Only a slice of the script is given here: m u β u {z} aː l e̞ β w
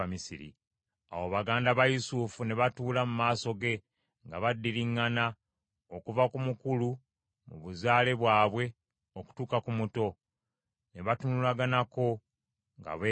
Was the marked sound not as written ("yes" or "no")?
no